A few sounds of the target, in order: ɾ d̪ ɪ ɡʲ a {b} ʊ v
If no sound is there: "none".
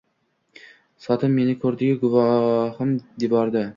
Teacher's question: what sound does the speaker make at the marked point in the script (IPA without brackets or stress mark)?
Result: ɡ